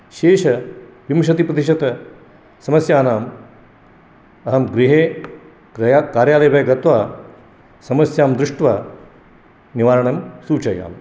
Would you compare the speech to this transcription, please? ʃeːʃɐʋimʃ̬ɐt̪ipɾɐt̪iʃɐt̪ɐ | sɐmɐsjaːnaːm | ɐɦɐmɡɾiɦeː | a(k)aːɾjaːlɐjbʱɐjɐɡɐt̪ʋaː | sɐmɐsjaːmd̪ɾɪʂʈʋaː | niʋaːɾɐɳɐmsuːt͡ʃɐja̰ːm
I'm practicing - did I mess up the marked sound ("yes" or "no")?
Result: no